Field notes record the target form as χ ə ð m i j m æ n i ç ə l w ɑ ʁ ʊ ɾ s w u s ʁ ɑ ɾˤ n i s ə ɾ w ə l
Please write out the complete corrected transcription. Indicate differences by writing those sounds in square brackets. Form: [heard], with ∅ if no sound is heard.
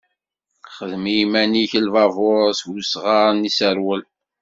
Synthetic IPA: χ ə ð m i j m æ n i ç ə l [v] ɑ [v] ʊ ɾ s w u s ʁ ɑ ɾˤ n i s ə ɾ w ə l